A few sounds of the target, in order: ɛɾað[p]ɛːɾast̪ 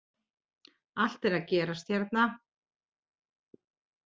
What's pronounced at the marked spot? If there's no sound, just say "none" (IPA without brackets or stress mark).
c